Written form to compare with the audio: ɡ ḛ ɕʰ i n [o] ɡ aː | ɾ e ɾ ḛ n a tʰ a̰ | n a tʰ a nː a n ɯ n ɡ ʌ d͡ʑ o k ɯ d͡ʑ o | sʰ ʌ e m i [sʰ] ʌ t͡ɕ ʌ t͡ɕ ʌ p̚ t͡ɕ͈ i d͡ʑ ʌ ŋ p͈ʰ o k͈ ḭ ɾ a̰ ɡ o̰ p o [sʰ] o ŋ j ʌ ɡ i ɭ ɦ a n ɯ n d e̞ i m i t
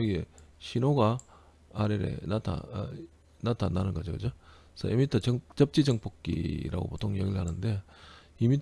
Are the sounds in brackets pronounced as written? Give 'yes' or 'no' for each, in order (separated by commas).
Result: yes, no, no